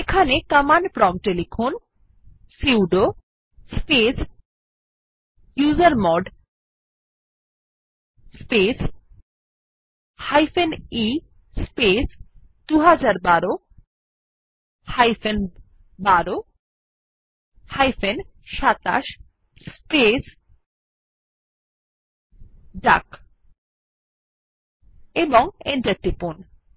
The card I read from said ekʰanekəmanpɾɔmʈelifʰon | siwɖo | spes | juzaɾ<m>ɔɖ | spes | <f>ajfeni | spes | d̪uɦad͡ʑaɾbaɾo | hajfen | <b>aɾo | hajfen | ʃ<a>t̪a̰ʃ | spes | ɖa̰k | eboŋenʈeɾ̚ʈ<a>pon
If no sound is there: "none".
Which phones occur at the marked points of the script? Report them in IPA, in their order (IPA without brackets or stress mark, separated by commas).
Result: m, h, b, a, i